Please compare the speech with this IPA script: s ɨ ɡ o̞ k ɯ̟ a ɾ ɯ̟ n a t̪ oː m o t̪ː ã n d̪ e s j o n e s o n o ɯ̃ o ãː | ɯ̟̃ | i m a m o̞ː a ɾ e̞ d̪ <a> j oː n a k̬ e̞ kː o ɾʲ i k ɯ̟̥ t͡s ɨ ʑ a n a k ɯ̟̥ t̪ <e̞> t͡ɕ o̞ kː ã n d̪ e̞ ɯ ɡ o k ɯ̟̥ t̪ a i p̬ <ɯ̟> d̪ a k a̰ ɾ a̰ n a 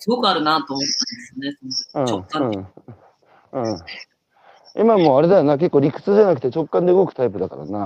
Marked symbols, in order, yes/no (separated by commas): yes, yes, yes